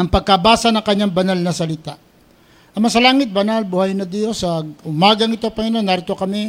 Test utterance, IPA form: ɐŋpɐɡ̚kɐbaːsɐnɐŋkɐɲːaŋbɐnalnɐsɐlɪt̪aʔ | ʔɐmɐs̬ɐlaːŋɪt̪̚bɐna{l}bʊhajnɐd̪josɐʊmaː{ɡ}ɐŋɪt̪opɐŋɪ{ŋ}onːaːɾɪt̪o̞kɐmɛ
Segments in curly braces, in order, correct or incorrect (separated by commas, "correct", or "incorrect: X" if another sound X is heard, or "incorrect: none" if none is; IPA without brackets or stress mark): correct, correct, incorrect: n